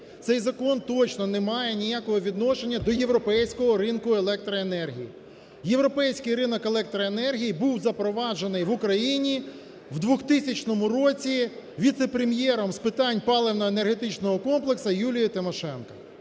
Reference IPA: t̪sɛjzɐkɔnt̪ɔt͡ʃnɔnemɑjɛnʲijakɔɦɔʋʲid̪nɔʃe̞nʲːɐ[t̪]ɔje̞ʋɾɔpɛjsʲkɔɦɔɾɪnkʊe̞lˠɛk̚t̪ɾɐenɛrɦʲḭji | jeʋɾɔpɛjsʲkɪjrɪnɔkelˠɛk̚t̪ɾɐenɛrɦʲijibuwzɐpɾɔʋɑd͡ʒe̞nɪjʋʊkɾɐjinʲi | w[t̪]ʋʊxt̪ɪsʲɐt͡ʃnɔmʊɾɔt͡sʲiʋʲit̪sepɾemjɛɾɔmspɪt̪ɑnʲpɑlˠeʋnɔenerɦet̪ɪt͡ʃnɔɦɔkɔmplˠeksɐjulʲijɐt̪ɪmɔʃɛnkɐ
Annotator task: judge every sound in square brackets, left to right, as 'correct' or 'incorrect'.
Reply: incorrect: d̪, incorrect: d̪

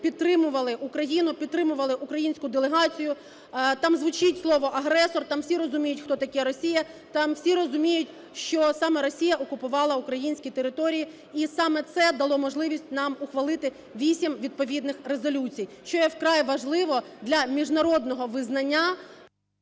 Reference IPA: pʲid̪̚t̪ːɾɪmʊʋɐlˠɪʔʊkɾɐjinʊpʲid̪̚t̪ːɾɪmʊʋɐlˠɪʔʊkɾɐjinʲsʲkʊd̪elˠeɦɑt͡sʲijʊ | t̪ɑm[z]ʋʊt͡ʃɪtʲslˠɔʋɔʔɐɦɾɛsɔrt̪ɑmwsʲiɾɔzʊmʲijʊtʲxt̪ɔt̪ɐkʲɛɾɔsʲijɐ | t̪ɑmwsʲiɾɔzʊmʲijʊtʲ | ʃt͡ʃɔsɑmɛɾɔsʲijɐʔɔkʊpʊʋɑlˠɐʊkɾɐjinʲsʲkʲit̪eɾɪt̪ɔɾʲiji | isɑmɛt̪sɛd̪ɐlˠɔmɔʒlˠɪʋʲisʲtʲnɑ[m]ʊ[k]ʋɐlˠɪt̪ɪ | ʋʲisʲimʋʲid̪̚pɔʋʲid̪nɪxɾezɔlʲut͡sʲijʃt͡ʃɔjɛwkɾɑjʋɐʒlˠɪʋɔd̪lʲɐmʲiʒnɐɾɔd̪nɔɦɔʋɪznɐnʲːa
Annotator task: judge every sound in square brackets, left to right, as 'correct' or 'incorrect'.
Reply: correct, correct, incorrect: x

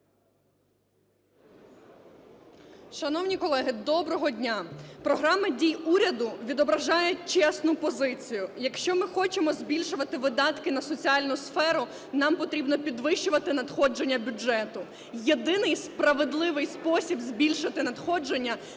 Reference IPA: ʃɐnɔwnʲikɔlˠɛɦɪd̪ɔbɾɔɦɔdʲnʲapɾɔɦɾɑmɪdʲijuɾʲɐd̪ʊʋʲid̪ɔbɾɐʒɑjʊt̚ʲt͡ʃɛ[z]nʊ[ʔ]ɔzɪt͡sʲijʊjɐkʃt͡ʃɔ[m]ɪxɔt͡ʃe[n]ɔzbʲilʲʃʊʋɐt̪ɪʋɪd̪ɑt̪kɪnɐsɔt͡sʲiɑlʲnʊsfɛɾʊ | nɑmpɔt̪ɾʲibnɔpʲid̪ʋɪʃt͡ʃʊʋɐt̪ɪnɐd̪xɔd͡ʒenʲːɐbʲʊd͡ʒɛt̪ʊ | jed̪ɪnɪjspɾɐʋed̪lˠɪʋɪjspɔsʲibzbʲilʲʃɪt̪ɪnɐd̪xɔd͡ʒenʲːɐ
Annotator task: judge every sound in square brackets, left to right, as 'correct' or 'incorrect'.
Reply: incorrect: s, incorrect: p, correct, incorrect: m

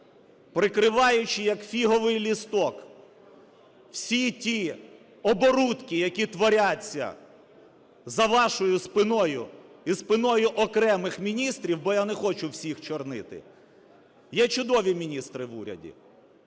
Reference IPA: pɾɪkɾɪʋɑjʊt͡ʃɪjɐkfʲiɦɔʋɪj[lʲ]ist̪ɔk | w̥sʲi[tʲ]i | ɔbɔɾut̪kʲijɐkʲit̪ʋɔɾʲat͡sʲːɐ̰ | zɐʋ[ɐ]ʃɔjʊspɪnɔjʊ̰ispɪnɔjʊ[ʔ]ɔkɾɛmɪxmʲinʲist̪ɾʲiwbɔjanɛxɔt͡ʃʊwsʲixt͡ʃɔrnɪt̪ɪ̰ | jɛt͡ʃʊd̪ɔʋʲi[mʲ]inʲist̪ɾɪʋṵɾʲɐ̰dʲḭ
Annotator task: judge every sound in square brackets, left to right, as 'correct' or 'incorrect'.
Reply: correct, correct, incorrect: ɑ, correct, correct

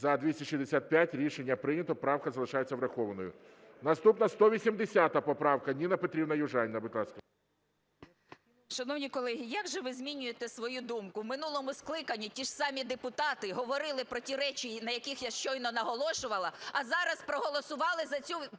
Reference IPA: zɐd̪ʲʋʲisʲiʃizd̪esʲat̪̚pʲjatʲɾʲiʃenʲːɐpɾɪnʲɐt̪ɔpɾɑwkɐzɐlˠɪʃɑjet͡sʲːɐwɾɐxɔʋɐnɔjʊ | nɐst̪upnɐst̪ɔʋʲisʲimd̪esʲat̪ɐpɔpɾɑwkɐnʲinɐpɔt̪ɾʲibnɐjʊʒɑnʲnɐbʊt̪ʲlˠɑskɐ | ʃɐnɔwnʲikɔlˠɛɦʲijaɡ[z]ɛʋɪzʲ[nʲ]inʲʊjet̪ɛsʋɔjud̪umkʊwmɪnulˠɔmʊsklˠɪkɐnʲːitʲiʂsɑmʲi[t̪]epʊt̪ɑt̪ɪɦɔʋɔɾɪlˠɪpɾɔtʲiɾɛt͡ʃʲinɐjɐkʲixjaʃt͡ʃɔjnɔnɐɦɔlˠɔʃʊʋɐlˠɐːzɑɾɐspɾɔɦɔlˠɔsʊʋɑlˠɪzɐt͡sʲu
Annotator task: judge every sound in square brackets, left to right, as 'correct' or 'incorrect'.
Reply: incorrect: ʒ, incorrect: mʲ, incorrect: d̪

